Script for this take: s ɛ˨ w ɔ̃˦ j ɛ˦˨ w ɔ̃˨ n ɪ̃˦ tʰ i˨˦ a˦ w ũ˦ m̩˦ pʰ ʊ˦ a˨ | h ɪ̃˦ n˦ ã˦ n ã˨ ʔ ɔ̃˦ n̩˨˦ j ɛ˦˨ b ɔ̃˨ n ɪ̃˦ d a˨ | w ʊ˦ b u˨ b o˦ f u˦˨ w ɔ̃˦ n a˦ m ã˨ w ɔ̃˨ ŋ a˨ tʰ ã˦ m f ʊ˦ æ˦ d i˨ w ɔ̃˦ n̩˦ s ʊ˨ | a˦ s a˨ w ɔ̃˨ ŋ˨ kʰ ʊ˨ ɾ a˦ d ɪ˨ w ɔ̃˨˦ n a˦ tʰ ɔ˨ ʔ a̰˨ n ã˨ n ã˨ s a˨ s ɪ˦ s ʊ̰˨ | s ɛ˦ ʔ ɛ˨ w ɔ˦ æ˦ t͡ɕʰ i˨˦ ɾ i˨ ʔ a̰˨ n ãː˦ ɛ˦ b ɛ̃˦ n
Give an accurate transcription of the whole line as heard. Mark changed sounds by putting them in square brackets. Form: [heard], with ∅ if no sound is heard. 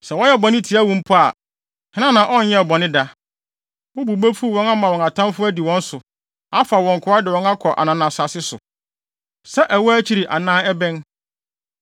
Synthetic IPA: s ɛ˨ w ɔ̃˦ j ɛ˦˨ [b] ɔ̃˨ n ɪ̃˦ tʰ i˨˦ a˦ w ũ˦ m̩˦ pʰ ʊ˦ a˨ | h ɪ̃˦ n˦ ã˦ n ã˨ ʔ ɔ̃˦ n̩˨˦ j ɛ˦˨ b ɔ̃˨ n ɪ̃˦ d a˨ | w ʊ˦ b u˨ b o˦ f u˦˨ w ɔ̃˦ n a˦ m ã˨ w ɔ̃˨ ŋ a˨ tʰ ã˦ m f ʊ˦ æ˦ d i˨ w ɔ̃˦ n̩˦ s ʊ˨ | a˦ [f] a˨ w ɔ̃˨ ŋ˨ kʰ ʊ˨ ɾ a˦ d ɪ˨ w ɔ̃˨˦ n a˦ [kʰ] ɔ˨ ʔ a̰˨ n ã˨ n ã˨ s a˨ s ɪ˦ s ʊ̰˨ | s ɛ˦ ʔ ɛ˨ w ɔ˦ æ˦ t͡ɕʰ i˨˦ ɾ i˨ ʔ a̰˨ n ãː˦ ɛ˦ b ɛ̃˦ n